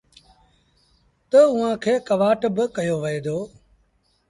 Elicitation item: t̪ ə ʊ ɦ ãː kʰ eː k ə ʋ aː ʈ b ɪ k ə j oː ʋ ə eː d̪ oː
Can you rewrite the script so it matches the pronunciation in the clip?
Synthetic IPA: t̪ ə ʊ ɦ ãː kʰ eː k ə ʋ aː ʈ b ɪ k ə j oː ʋ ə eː d̪ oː